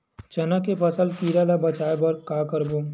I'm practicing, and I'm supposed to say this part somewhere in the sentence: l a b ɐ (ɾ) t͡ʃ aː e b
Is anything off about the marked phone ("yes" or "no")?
yes